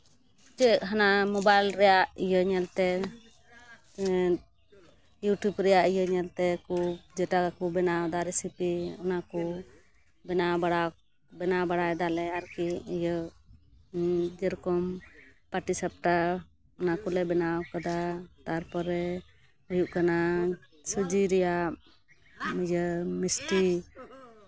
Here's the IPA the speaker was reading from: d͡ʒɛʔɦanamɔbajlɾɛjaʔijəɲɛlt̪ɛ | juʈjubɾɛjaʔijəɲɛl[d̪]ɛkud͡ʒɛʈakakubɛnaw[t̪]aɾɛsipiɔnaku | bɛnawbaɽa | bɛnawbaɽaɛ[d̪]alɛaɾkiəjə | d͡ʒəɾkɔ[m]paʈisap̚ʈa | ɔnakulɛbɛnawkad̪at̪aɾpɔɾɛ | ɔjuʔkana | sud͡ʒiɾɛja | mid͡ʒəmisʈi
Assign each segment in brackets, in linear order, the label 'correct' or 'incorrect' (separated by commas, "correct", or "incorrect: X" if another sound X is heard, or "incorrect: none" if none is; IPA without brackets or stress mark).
incorrect: t̪, incorrect: d̪, correct, correct